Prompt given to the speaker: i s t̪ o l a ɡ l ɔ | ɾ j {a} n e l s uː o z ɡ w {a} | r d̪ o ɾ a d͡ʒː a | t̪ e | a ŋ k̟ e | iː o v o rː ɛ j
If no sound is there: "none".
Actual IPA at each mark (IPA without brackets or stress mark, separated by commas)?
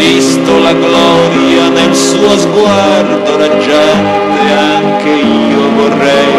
a, a